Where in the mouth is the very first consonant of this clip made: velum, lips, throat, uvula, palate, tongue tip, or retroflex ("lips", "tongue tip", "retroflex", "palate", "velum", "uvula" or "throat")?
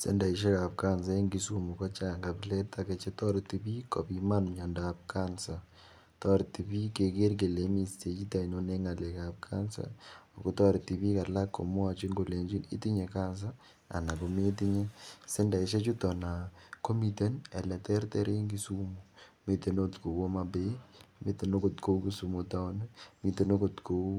tongue tip